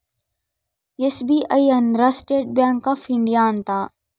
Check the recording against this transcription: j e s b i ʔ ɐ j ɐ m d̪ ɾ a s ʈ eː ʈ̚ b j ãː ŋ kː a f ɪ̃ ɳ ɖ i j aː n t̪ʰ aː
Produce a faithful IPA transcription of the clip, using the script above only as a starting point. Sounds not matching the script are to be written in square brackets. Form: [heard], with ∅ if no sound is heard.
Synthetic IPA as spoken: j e s b i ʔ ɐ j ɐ [n] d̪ ɾ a s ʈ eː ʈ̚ b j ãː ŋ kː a f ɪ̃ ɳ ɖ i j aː n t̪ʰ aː